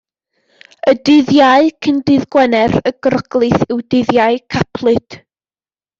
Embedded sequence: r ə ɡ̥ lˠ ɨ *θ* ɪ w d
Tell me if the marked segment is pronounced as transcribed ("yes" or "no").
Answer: yes